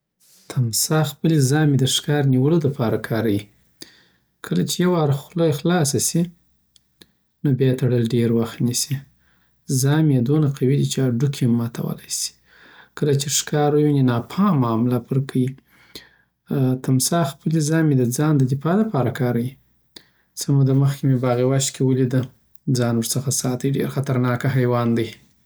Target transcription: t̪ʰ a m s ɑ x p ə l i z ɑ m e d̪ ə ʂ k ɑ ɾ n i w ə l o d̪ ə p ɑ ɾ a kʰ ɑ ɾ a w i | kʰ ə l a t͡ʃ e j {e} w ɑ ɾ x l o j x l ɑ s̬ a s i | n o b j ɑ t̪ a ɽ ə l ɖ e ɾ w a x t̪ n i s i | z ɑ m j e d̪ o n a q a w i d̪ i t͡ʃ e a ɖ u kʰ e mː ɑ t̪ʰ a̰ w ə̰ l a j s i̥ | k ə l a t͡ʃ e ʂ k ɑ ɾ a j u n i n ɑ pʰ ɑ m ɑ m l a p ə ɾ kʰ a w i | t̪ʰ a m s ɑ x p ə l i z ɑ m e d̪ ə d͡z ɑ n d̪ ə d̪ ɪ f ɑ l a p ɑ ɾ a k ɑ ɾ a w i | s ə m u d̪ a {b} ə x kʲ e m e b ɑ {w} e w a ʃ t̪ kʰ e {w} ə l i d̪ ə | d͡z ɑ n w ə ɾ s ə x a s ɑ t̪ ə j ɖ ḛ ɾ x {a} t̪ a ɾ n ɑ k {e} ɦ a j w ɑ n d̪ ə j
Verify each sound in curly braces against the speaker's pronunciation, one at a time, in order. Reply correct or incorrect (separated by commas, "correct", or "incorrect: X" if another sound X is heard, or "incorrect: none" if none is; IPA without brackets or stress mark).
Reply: incorrect: a, incorrect: m, incorrect: ɣ, correct, correct, incorrect: a